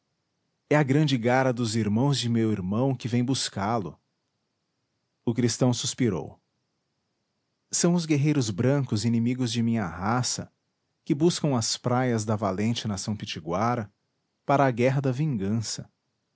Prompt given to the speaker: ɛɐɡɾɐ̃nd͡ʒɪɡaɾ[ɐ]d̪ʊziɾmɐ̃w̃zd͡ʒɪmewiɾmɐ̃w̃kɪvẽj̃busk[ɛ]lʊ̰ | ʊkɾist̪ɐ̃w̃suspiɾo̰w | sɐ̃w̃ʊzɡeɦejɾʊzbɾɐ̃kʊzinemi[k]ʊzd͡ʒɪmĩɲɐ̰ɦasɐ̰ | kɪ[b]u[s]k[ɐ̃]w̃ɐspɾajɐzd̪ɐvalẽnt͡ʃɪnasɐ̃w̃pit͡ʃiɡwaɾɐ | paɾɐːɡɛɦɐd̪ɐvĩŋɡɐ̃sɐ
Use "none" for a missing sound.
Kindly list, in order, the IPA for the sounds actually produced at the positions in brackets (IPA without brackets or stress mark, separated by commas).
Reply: ɐ, a, ɡ, b, s, ɐ̃